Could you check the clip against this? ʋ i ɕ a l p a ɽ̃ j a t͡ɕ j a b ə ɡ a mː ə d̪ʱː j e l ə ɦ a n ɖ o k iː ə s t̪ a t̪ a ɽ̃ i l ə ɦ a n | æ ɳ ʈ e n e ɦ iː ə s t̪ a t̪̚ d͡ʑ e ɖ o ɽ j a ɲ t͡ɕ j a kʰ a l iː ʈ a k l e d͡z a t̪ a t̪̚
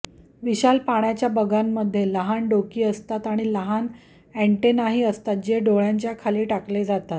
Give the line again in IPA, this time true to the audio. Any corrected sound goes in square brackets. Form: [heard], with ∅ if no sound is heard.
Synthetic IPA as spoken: ʋ i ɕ a l p a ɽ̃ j a t͡ɕ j a b ə ɡ a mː ə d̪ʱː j e l ə ɦ a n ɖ o k iː ə s t̪ a t̪ a ɽ̃ i l ə ɦ a n | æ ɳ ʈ e n [a] ɦ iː ə s t̪ a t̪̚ d͡ʑ e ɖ o [ɭ] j a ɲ t͡ɕ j a kʰ a l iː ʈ a k l e d͡z a t̪ a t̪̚